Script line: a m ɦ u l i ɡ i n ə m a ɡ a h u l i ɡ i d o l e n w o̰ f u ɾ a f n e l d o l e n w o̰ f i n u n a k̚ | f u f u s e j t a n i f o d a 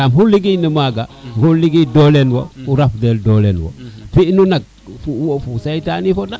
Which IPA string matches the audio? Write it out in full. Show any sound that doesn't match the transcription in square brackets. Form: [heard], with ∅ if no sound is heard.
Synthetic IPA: a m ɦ u l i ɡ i n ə m a ɡ a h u l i ɡ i d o l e n w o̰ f u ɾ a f [d] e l d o l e n w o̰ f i n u n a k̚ | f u f u s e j t a n i f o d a